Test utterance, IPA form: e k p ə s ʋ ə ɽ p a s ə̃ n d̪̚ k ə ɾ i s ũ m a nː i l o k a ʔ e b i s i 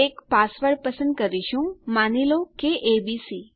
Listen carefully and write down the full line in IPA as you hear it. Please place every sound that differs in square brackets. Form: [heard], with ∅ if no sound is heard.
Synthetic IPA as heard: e k p [a] s ʋ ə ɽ p [ə] s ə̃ n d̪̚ k ə ɾ i [ʃ] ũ m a [n] i l o k [e] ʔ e b i s i